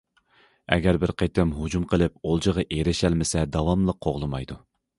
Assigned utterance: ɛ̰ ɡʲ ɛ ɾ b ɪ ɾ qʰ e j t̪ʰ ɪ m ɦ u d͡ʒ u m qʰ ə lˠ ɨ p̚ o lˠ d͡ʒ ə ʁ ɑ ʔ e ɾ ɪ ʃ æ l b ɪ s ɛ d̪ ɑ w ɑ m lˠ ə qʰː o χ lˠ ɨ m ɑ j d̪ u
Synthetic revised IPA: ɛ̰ ɡʲ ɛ ɾ b ɪ ɾ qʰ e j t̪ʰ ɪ m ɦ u d͡ʒ u m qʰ ə lˠ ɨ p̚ o lˠ d͡ʒ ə ʁ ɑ ʔ e ɾ ɪ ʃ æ l m ɪ s ɛ d̪ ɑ w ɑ m lˠ ə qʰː o ʁ lˠ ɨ m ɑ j d̪ u